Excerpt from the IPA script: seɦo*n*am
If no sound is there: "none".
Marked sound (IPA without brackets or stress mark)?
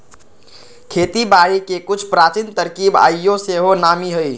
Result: n